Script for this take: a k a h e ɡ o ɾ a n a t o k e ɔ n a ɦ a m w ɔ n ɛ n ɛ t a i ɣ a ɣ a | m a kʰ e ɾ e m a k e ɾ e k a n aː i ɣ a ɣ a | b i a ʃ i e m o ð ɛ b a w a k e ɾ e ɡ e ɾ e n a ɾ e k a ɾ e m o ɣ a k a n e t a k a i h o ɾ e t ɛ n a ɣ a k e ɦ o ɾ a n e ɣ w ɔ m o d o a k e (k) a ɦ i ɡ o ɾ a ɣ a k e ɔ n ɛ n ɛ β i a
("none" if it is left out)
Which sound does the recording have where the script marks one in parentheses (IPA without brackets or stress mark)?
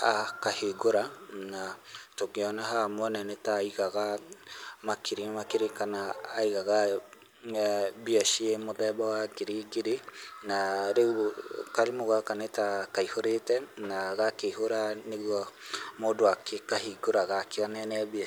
k